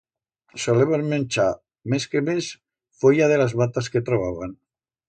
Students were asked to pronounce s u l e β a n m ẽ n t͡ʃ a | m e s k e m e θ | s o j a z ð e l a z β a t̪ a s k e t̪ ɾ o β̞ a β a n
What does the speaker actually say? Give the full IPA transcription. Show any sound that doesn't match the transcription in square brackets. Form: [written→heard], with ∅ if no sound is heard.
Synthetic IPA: s [u→o] l e β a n m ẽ n t͡ʃ a | m e s k e m e [θ→s] | [s→f] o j a [z→∅] ð e l a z β a t̪ a s k e t̪ ɾ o β̞ a β a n